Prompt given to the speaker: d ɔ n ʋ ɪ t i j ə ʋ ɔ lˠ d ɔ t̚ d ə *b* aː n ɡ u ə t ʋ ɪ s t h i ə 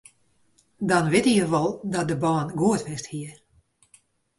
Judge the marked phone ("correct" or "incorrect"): correct